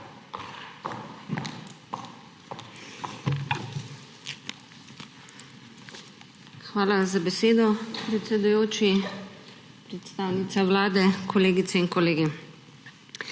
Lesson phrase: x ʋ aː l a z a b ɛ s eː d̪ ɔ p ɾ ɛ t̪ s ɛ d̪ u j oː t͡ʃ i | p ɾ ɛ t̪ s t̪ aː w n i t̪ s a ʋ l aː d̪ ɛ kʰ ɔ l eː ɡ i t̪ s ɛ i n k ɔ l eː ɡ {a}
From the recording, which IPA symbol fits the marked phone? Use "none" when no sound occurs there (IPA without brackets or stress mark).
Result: i